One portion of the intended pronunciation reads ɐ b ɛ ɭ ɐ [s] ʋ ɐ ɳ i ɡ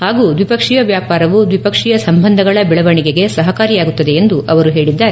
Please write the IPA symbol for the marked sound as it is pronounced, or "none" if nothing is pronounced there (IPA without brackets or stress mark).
none